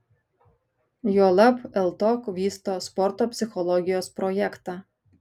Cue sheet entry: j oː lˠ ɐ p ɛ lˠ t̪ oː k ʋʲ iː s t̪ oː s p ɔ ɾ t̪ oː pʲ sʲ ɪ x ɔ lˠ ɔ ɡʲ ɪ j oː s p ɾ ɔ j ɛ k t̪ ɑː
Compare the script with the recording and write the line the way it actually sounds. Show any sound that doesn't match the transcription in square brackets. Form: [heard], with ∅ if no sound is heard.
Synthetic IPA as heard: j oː lˠ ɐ p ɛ lˠ t̪ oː k ʋʲ iː s t̪ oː s p ɔ ɾ t̪ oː pʲ sʲ ɪ x ɔ lˠ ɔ ɡʲ ɪ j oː s p ɾ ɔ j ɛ k t̪ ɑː